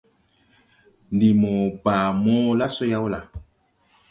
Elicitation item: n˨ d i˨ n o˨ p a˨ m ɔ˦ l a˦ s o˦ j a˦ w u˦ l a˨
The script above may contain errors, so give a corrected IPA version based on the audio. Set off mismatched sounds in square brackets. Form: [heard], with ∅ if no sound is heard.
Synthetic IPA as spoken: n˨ d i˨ [m] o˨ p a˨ m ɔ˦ l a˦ s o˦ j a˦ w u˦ l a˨